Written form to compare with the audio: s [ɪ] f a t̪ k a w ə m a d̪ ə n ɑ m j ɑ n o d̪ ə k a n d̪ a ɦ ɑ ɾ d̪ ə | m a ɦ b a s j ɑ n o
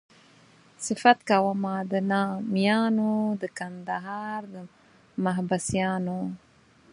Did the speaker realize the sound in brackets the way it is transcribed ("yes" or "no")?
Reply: yes